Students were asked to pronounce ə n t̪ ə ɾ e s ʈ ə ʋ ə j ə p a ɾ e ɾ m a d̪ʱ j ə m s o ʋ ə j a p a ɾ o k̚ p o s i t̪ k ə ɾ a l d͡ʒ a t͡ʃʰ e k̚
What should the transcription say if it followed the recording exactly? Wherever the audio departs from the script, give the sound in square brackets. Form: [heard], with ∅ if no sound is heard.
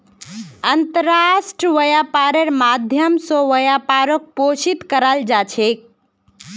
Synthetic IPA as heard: ə n t̪ ə ɾ [a] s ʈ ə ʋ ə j [a] p a ɾ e ɾ m a d̪ʱ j ə m s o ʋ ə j a p a ɾ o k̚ p o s i t̪ k ə ɾ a l d͡ʒ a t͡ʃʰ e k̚